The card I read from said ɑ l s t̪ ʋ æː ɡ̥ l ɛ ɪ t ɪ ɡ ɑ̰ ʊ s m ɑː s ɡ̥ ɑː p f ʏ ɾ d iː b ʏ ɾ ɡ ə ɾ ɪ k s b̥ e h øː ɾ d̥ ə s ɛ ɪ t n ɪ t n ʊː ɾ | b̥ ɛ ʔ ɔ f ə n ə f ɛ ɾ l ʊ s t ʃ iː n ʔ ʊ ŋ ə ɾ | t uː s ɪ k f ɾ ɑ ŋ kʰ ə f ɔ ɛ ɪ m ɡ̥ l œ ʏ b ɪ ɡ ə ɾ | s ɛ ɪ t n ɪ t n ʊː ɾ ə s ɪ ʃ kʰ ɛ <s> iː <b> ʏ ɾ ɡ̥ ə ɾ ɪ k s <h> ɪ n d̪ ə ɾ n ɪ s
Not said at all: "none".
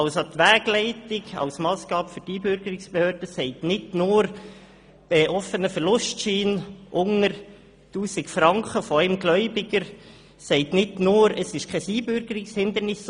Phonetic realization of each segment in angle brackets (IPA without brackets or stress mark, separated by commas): s, b, h